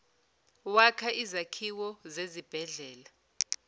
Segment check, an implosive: absent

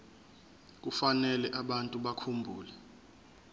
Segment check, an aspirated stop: present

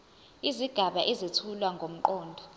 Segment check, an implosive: present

